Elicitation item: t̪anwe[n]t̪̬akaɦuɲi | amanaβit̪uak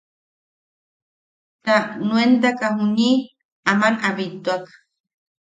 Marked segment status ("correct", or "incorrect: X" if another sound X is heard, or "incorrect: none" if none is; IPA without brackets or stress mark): correct